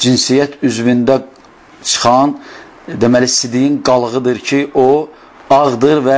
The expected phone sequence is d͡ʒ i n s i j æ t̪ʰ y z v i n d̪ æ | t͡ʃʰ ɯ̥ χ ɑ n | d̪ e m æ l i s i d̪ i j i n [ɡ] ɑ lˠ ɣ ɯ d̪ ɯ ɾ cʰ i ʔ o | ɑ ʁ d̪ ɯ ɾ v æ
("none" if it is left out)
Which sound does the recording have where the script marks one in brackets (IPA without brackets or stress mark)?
ɡ